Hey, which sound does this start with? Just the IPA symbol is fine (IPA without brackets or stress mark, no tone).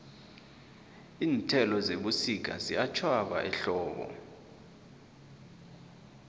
iː